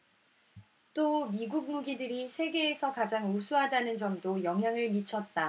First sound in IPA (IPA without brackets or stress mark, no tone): t͈